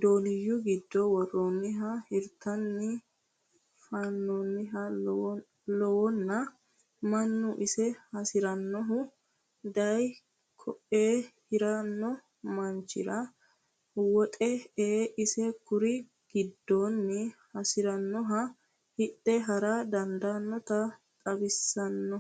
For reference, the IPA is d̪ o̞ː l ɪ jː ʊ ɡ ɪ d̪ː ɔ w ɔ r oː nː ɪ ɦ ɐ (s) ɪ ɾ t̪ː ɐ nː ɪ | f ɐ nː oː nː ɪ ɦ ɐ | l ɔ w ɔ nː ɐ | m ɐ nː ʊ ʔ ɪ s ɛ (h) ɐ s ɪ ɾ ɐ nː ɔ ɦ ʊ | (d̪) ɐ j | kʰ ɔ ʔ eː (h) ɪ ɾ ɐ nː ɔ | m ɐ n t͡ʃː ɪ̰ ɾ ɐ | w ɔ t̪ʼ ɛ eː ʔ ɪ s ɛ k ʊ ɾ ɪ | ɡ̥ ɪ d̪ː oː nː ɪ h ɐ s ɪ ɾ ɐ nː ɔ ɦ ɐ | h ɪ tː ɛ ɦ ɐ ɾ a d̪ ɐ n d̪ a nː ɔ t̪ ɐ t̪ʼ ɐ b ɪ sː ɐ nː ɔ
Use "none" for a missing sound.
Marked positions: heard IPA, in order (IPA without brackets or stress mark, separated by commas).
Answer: h, h, d̪, h